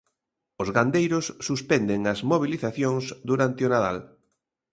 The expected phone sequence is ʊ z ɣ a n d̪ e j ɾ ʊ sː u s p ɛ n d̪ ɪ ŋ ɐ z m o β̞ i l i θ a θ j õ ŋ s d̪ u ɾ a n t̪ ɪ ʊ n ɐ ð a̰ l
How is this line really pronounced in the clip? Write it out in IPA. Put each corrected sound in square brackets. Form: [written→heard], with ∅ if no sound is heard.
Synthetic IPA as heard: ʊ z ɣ a n d̪ e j ɾ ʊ sː u s p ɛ n d̪ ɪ ŋ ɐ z m o β̞ i l i θ a θ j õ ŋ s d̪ u ɾ a n t̪ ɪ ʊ n [ɐ→a] ð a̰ l